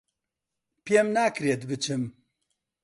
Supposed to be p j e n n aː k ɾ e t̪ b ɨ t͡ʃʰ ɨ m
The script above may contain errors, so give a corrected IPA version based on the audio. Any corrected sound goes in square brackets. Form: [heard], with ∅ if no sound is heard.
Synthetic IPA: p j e [m] n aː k ɾ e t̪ b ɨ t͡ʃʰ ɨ m